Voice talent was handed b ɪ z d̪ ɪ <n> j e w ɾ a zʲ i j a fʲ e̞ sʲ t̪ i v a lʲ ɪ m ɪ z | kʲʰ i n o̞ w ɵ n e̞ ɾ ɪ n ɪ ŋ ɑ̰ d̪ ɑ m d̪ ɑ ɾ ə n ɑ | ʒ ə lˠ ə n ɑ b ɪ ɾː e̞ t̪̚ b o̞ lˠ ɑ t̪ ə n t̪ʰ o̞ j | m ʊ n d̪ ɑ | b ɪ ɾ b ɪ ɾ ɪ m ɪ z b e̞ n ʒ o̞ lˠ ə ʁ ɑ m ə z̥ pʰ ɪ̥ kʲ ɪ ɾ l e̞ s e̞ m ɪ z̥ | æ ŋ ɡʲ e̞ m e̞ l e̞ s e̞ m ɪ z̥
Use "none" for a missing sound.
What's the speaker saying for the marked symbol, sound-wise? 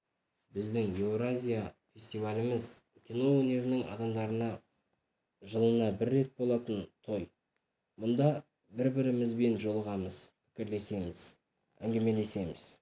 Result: ŋ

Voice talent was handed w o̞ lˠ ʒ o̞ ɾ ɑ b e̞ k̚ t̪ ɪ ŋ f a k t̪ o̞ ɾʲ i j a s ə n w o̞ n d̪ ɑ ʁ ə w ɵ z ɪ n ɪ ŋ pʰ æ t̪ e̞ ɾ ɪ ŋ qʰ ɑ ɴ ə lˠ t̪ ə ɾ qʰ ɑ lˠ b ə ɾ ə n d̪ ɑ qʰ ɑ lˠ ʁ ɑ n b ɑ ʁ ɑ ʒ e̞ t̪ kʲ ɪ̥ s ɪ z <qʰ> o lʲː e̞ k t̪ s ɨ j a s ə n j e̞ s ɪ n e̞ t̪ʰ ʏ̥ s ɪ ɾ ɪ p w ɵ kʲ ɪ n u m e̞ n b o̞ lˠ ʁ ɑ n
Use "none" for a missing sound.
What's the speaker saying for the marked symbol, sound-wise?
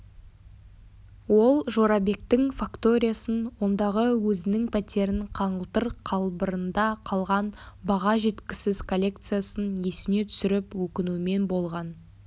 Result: kʰ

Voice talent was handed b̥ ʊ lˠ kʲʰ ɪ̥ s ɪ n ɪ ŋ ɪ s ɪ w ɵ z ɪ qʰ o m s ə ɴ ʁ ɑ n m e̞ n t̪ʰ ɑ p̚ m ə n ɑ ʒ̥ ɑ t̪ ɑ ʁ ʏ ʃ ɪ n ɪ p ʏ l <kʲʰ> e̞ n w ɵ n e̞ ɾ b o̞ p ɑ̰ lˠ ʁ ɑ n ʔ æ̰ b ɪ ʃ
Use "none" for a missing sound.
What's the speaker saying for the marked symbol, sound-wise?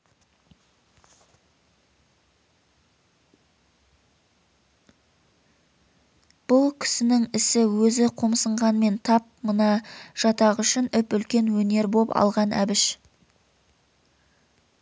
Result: kʲ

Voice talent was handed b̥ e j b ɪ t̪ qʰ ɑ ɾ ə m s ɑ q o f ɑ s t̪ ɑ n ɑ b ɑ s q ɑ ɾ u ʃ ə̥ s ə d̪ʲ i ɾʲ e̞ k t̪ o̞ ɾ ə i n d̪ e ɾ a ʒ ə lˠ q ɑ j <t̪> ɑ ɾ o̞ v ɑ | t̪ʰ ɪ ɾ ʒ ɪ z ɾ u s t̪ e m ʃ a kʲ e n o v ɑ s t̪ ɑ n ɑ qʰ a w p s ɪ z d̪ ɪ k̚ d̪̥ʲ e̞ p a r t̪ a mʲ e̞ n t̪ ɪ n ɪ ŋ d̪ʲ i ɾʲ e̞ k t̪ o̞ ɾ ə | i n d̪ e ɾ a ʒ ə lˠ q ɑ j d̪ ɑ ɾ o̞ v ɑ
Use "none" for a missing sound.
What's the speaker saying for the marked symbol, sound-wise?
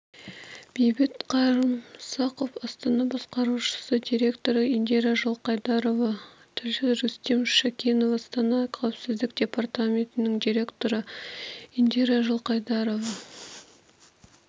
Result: d̪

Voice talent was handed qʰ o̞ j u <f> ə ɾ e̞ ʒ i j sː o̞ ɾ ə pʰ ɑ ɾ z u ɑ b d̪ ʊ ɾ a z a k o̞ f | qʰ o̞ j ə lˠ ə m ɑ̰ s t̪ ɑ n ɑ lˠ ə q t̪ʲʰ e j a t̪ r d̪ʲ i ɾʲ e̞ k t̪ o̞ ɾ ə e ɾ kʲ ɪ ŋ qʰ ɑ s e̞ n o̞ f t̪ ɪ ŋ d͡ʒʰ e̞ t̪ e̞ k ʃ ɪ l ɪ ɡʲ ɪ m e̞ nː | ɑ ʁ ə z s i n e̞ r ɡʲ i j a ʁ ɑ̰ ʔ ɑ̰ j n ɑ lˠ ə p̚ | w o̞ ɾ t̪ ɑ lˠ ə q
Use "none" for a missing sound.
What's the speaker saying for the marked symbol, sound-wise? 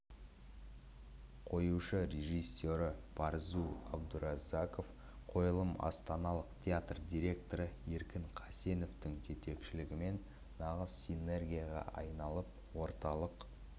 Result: ʃ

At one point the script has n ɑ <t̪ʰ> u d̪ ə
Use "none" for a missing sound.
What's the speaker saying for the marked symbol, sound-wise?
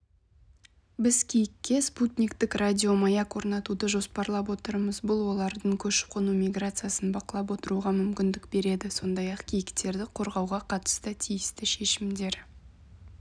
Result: t̪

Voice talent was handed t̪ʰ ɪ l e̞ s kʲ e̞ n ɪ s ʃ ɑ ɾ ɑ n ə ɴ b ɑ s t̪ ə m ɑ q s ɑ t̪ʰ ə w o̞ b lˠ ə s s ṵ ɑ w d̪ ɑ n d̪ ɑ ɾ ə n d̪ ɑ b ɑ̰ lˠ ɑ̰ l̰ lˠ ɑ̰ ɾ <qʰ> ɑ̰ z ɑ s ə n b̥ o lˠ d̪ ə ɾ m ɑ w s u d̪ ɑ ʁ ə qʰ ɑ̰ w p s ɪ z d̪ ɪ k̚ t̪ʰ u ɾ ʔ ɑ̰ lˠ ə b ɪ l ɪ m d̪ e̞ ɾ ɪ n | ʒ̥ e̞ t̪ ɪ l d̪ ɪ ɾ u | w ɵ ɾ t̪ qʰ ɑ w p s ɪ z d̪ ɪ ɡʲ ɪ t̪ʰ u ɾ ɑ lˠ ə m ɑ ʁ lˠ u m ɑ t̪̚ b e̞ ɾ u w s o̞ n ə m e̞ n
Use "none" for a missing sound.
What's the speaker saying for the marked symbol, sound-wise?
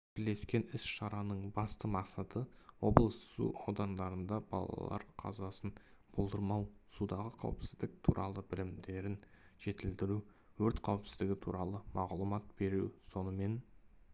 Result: qʰ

